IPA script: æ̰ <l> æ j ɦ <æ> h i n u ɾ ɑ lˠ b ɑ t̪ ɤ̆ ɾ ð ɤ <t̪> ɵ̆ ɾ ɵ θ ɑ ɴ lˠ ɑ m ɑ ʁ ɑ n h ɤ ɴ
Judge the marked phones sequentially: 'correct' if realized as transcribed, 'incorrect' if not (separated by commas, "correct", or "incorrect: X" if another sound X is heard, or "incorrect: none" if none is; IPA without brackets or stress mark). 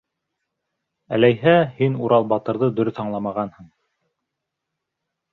correct, correct, incorrect: d̪